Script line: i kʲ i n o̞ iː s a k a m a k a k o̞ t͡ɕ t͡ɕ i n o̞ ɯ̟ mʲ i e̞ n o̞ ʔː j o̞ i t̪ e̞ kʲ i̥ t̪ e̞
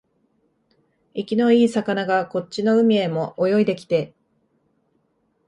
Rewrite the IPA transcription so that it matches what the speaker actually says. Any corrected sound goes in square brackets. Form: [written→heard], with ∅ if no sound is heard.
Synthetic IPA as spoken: i kʲ i n o̞ iː s a k a [m→n] a [k→ɡ] a k o̞ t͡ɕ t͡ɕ i n o̞ ɯ̟ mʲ i e̞ [n→m] o̞ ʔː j o̞ i [t̪→d̪] e̞ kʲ i̥ t̪ e̞